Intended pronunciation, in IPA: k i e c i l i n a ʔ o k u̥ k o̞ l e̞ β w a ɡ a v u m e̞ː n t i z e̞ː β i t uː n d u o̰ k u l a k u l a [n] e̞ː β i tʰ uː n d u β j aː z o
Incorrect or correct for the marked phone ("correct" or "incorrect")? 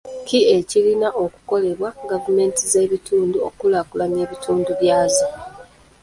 correct